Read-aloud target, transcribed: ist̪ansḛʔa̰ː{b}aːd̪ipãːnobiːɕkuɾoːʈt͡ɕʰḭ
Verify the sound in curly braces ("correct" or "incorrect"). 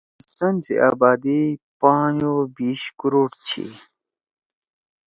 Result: correct